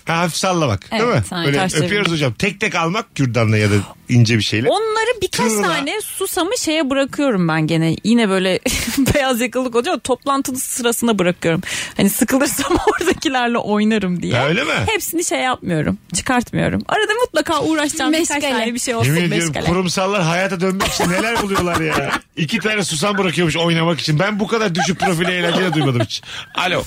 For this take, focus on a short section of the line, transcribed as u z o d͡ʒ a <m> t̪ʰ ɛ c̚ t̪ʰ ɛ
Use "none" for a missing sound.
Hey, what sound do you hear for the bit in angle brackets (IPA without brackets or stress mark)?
m